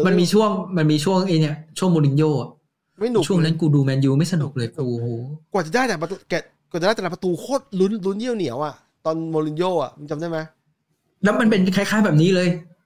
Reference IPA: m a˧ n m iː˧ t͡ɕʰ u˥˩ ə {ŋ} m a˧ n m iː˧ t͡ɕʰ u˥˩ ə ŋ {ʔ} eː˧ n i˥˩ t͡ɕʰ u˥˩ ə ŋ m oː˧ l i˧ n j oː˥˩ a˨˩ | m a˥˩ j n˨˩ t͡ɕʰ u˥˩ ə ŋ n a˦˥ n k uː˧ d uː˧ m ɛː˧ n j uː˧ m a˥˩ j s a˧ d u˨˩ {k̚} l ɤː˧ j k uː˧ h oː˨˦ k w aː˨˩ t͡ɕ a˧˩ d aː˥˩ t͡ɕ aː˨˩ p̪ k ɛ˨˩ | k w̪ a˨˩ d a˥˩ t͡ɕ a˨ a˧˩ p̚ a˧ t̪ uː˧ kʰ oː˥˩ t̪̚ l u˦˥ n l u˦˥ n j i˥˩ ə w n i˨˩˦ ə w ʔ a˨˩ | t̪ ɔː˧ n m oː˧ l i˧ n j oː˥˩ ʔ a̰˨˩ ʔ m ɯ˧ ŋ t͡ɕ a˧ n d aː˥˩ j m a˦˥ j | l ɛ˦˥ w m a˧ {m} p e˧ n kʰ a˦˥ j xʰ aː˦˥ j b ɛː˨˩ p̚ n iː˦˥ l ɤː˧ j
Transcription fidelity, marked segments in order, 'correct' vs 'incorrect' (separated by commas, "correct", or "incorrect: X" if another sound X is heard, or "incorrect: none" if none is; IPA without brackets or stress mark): correct, correct, correct, incorrect: n